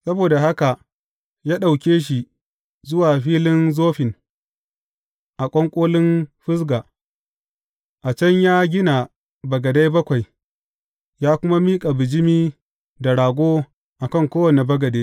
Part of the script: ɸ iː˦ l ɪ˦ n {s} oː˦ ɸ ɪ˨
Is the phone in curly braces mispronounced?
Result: yes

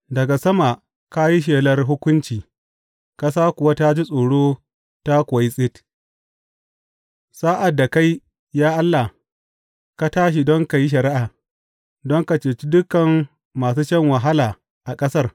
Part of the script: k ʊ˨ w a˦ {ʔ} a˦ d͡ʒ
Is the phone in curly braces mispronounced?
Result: yes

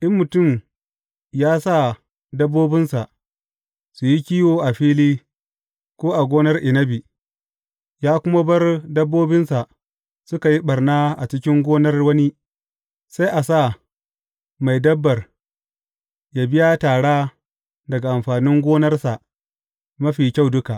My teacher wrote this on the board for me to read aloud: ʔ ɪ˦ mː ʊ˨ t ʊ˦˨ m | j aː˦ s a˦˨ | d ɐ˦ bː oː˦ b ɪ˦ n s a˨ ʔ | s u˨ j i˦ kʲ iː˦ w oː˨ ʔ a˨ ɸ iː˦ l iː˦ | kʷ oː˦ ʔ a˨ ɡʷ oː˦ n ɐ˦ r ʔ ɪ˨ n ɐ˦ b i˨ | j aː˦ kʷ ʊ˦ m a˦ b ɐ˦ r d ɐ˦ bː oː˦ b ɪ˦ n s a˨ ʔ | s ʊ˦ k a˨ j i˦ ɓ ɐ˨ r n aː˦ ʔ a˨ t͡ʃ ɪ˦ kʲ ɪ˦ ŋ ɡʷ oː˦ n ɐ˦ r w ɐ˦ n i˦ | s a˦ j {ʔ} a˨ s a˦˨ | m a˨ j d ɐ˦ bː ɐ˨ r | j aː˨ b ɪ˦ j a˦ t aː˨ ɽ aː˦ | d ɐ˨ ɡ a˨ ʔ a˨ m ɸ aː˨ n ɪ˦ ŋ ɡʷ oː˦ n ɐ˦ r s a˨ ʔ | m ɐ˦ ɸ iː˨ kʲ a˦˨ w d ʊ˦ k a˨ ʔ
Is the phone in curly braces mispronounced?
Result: no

